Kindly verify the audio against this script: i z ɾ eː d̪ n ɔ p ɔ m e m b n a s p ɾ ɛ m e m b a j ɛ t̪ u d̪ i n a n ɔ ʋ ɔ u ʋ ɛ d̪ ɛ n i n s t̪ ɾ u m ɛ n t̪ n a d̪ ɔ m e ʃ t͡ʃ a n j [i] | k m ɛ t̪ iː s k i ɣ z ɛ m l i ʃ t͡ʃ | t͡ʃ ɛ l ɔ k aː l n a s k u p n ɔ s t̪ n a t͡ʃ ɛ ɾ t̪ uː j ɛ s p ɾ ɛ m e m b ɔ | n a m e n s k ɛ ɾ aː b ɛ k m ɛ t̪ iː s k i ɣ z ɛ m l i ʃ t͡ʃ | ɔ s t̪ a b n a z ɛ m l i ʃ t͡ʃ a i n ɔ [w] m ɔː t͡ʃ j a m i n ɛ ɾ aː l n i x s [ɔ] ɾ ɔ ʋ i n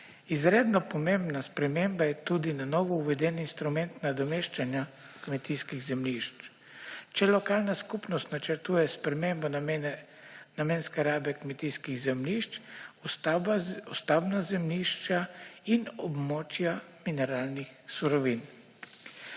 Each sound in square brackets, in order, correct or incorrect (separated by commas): incorrect, incorrect, incorrect